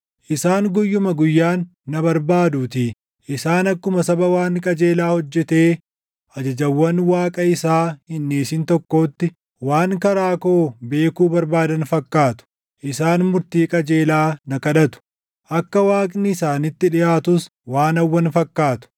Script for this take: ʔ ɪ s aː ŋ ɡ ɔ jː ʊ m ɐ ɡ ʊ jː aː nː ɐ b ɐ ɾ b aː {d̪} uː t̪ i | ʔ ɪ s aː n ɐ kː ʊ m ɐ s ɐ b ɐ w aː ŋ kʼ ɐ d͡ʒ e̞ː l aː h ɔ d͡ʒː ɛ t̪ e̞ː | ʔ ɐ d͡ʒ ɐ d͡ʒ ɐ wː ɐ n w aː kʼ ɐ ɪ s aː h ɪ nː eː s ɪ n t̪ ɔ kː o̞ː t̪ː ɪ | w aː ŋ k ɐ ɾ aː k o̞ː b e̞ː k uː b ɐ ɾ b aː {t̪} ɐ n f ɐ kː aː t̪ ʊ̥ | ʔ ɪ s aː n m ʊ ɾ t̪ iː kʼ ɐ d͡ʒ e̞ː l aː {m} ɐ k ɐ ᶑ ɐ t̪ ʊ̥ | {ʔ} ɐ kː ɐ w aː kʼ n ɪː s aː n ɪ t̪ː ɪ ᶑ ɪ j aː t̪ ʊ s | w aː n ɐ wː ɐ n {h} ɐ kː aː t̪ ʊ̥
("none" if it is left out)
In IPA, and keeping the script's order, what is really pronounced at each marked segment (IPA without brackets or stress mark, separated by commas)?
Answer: d̪, d̪, n, ʔ, f